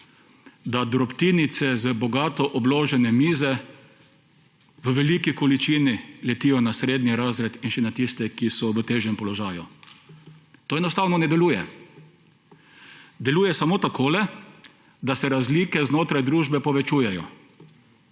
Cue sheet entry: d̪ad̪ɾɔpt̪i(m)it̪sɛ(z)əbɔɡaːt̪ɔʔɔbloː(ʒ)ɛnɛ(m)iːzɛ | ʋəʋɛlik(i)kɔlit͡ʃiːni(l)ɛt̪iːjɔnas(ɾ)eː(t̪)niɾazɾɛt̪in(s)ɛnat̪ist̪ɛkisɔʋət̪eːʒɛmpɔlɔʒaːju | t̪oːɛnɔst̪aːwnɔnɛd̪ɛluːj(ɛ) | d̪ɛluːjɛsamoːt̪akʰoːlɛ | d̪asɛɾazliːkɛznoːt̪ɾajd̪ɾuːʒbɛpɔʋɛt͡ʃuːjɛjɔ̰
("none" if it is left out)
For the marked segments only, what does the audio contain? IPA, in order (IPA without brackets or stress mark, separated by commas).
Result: n, z, ʒ, m, i, l, ɾ, d̪, ʃ, ɛ